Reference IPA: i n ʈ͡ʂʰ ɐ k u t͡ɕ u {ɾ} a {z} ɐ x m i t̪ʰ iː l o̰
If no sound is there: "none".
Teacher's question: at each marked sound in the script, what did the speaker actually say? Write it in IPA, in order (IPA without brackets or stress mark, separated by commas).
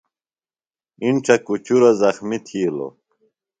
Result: ɾ, z